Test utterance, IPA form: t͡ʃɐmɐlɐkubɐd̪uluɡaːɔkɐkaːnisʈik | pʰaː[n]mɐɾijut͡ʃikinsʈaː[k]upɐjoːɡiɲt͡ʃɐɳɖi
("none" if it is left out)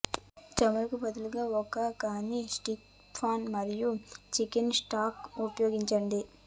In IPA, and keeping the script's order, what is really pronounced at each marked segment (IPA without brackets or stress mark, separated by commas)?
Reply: n, k